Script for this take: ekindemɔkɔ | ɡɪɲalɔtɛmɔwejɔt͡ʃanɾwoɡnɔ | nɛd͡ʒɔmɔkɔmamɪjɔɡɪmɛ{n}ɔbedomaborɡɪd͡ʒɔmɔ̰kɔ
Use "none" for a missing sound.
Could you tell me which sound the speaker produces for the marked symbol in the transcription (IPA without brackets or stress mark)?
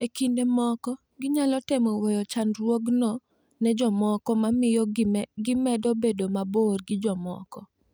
d